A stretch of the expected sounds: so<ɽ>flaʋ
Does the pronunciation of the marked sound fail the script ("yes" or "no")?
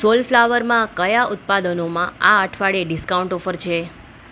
yes